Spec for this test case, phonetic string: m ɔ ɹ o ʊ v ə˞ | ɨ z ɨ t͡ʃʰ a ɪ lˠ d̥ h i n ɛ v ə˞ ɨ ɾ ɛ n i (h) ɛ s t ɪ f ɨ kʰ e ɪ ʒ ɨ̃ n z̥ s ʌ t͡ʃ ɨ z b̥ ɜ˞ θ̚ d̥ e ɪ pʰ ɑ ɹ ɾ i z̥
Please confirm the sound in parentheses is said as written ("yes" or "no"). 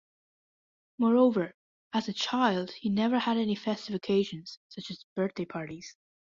no